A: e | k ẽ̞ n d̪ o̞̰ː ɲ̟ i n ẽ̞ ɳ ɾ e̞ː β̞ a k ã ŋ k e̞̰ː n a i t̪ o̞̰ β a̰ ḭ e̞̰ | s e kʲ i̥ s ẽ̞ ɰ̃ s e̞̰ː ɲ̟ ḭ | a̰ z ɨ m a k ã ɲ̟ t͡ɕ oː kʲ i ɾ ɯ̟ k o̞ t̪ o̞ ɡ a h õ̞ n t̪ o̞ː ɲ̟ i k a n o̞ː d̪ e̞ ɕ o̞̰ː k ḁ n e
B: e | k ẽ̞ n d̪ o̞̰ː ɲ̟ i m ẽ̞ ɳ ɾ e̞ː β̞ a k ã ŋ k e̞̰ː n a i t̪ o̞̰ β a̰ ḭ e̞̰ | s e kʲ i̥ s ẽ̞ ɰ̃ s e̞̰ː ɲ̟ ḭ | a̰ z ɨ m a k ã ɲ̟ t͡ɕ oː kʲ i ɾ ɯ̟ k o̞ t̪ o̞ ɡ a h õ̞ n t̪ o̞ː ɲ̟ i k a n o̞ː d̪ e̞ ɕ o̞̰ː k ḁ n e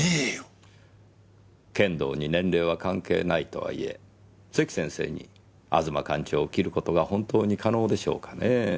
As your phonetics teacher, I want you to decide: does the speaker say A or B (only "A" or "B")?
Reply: A